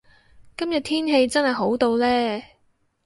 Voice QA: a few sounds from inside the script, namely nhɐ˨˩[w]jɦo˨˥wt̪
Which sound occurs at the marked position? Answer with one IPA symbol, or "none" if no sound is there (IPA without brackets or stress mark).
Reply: none